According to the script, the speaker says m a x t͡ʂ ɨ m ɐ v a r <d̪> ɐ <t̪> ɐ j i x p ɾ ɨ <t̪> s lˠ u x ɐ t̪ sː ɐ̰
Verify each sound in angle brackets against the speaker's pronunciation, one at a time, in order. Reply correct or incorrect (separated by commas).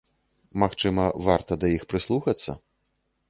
incorrect, incorrect, incorrect